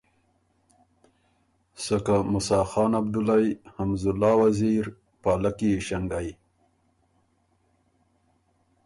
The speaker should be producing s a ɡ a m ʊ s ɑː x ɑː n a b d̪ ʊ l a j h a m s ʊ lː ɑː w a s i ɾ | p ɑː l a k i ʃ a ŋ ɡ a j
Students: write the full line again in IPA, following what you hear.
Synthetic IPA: s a k a m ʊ s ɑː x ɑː n a b d̪ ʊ l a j h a m z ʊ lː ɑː w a z i ɾ | p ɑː l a k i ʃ a ŋ ɡ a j